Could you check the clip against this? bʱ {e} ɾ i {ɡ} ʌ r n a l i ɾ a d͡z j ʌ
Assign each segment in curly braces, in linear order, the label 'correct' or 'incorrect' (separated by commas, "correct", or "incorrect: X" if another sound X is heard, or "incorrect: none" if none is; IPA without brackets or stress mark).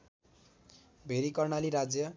correct, incorrect: k